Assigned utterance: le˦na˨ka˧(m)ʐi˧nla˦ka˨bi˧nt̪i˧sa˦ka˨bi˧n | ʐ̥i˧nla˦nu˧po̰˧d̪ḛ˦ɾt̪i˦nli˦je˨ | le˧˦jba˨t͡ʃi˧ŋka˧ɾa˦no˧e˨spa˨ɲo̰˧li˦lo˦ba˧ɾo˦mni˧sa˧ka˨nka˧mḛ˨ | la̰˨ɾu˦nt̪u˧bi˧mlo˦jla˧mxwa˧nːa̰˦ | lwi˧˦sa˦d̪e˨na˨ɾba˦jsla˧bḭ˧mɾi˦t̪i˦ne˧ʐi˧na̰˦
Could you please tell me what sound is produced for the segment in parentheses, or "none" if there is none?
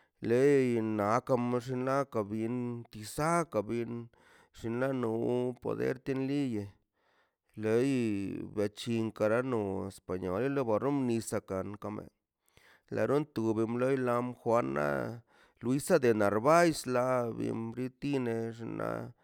m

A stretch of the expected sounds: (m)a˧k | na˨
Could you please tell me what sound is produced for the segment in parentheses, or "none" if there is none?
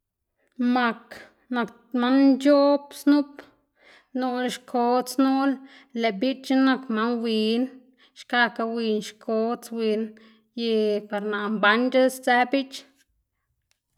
m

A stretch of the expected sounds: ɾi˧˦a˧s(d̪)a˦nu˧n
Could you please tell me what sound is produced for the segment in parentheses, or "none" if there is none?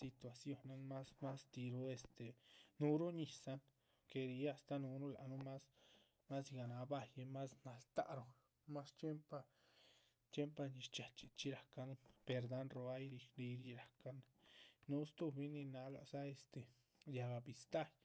t̪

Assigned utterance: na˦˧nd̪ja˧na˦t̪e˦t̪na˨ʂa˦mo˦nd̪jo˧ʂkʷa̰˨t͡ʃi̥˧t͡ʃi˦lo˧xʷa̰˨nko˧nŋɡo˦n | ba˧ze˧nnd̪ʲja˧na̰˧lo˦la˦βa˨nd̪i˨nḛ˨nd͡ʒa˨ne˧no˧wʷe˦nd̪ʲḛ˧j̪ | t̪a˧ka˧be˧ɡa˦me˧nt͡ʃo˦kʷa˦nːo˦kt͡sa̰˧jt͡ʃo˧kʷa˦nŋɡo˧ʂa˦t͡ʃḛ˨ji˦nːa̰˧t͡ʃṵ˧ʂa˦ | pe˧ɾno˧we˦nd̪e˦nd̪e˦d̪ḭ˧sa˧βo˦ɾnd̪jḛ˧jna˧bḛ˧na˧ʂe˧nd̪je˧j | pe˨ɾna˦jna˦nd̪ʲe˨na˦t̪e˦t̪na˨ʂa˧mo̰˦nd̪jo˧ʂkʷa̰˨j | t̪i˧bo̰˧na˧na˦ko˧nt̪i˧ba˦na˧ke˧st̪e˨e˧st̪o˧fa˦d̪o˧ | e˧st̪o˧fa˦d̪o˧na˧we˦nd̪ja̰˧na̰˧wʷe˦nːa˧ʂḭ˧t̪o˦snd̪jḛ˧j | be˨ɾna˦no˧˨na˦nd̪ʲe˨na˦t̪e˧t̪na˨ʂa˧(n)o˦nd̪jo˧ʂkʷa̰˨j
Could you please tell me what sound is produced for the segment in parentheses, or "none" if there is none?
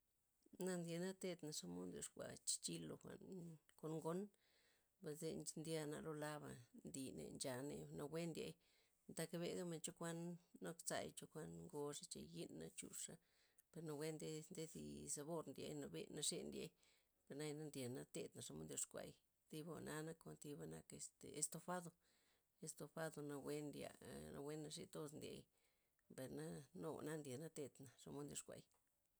m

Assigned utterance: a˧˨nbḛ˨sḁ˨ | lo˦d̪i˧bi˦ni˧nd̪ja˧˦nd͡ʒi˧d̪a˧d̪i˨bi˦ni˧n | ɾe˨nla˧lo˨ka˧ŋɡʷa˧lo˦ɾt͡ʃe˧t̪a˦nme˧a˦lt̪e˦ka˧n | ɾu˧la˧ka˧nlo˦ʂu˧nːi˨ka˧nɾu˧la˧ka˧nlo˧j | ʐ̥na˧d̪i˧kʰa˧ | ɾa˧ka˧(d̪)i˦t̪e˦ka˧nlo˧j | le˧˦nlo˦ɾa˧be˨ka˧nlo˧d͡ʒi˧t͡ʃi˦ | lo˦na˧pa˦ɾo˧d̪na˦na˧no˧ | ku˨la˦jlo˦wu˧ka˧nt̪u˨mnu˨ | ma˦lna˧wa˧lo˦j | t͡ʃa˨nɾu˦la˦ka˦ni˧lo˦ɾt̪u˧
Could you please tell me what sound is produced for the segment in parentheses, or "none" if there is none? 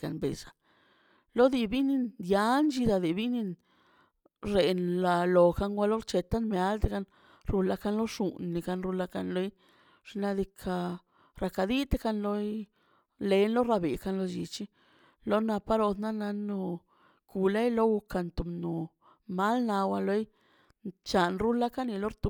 d̪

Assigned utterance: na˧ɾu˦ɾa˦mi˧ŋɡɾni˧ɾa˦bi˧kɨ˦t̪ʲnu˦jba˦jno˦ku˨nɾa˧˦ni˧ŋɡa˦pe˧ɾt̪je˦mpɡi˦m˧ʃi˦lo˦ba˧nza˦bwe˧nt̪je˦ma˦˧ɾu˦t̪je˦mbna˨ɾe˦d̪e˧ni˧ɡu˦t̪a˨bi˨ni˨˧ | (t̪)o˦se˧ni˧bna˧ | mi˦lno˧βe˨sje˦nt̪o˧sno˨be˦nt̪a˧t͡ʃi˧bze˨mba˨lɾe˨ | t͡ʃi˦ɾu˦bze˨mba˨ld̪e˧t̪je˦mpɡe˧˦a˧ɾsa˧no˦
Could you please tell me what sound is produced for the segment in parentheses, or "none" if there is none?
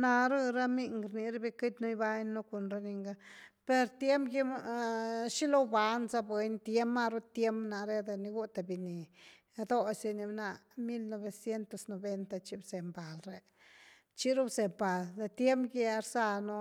d̪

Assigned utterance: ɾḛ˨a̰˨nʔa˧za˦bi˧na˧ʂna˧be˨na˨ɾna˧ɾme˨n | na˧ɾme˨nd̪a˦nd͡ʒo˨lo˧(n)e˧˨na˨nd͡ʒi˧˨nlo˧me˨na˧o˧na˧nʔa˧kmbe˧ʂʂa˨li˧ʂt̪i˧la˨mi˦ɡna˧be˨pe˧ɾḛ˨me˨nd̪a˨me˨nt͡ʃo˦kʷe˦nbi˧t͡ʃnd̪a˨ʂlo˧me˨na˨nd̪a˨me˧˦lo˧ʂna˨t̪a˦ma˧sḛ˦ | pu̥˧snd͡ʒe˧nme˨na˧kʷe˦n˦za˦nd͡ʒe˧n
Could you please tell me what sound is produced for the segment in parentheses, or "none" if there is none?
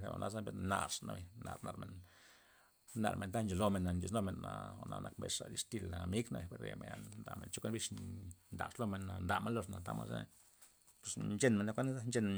m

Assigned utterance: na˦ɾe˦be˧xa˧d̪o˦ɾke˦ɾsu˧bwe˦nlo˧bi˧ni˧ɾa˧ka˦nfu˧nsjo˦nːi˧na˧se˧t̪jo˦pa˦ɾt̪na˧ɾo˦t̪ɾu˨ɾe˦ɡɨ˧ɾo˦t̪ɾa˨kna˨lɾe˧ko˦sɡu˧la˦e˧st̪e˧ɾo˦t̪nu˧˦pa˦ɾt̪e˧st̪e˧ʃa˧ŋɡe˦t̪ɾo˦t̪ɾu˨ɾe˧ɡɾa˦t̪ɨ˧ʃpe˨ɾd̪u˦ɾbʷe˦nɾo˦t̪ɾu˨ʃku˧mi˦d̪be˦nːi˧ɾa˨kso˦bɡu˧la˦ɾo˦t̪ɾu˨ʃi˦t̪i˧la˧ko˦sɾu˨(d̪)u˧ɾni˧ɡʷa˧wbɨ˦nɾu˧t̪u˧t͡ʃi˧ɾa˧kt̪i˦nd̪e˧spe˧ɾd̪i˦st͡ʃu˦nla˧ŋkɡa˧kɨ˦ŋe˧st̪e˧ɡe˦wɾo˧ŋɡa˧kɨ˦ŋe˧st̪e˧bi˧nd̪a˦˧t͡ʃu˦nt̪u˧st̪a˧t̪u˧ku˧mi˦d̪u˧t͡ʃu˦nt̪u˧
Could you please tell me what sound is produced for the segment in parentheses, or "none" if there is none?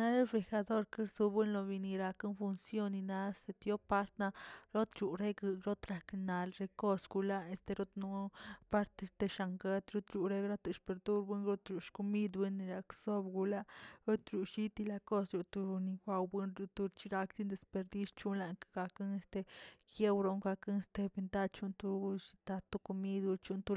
t̪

